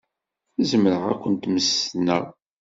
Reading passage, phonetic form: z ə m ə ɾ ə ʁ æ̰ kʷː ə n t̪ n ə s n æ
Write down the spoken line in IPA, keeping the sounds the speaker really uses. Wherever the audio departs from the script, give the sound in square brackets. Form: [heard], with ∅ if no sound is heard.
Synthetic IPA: z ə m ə ɾ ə ʁ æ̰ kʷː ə n t̪ [m] ə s n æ